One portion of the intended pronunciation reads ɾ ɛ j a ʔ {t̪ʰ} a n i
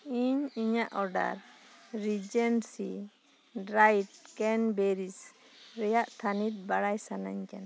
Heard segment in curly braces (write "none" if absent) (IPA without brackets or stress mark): t̪ʰ